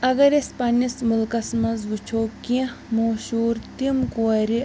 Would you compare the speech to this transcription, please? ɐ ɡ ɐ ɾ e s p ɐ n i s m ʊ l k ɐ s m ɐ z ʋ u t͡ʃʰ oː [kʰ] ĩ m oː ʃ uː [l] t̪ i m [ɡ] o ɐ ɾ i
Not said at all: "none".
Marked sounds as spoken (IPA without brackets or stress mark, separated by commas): k, ɾ, k